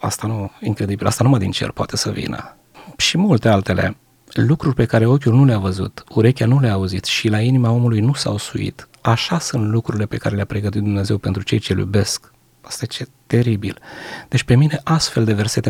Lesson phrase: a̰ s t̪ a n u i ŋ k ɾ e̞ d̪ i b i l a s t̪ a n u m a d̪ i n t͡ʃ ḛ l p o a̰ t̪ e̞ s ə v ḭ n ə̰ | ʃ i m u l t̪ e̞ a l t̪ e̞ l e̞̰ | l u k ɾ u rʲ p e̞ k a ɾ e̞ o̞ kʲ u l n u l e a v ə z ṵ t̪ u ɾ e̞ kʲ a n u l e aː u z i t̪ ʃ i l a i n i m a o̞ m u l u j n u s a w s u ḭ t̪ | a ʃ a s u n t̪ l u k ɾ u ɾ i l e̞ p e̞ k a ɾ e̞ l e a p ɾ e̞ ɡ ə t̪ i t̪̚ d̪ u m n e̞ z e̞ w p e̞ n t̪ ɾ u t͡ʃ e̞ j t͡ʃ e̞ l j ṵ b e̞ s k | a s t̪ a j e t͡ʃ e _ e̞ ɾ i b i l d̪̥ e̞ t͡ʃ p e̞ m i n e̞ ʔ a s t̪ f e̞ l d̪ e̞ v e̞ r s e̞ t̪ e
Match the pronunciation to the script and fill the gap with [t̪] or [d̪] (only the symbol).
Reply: t̪